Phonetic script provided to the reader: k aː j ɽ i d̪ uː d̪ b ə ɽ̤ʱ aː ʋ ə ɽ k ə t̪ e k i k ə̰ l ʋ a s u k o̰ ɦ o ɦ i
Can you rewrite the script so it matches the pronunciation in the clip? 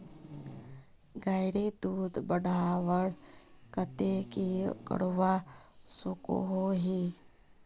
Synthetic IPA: ɡ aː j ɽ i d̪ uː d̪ b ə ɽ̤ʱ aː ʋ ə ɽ k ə t̪ e k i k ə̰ ɽ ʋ a s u k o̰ ɦ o ɦ i

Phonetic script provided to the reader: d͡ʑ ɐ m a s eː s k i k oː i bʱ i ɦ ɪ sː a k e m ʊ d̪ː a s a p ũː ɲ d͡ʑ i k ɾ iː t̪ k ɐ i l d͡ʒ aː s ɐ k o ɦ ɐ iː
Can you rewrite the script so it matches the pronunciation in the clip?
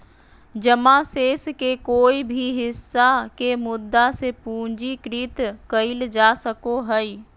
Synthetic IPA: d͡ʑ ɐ m a s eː s k e k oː i bʱ i ɦ ɪ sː a k e m ʊ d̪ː a s e p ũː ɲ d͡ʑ i k ɾ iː t̪ k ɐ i l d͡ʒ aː s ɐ k o ɦ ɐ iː

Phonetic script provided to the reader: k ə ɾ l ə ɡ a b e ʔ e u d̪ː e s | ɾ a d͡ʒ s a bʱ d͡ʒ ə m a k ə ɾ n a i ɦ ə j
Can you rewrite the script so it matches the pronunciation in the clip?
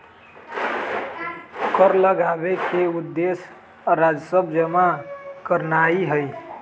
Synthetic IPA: k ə ɾ l ə ɡ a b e k e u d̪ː e s | ɾ a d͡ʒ s ə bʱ d͡ʒ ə m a k ə ɾ n a i ɦ ə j

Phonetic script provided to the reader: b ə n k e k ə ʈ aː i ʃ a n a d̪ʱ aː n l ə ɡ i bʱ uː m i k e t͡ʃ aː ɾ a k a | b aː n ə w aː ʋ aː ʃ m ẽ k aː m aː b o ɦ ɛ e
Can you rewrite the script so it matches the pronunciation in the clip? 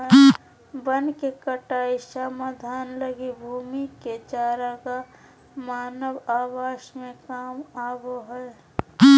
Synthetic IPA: b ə n k e k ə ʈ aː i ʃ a m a d̪ʱ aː n l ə ɡ i bʱ uː m i k e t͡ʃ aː ɾ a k a | m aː n ə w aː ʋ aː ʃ m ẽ k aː m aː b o ɦ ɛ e

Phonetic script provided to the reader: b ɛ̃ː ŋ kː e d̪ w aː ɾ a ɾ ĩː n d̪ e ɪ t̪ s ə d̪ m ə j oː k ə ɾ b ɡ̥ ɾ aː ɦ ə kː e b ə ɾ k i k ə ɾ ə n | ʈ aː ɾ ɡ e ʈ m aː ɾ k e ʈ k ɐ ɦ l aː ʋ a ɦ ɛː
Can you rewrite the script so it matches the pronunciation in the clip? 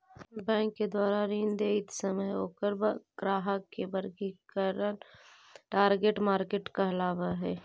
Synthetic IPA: b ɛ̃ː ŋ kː e d̪ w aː ɾ a ɾ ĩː n d̪ e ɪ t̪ s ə m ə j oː k ə ɾ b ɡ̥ ɾ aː ɦ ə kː e b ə ɾ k i k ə ɾ ə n | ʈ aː ɾ ɡ e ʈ m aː ɾ k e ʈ k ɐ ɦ l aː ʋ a ɦ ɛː

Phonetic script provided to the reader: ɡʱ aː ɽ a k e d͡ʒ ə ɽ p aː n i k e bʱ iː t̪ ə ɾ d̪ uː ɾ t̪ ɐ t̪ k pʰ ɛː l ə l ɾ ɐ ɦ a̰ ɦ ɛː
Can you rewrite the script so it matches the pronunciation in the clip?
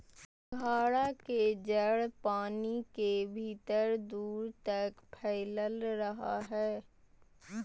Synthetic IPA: ɡʱ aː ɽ a k e d͡ʒ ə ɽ p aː n i k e bʱ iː t̪ ə ɾ d̪ uː ɾ t̪ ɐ k pʰ ɛː l ə l ɾ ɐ ɦ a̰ ɦ ɛː

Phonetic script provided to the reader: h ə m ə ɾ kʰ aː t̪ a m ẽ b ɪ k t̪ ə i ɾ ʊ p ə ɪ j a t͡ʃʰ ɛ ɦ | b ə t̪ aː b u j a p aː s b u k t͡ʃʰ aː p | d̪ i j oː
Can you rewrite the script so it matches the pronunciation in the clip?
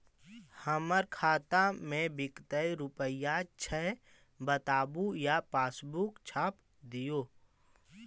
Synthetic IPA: h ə m ə ɾ kʰ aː t̪ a m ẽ b ɪ k t̪ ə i ɾ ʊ p ə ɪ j a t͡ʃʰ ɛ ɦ | b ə t̪ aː b u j a p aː s b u k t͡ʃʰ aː p | d̪ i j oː

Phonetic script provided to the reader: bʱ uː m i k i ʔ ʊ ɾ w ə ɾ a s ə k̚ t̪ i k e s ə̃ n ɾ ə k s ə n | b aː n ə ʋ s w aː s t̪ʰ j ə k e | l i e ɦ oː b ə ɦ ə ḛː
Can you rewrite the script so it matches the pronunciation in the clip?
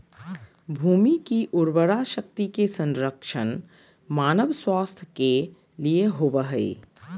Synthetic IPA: bʱ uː m i k i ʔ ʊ ɾ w ə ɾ a ʃ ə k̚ t̪ i k e s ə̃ n ɾ ə k ʃ ə n | m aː n ə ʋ s w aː s t̪ʰ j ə k e | l i e ɦ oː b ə ɦ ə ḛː

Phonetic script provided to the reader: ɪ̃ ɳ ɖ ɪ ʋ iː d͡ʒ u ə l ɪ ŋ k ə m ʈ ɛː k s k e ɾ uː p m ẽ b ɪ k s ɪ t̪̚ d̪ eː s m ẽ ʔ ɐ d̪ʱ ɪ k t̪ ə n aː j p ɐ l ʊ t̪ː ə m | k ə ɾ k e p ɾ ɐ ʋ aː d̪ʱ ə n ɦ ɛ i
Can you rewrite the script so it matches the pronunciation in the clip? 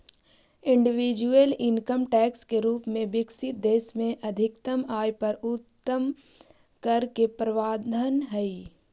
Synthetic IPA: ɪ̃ ɳ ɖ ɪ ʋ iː d͡ʒ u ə l ɪ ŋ k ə m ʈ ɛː k s k e ɾ uː p m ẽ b ɪ k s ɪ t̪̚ d̪ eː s m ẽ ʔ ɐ d̪ʱ ɪ k t̪ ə m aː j p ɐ ɾ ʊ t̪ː ə m | k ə ɾ k e p ɾ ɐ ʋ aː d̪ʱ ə n ɦ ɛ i

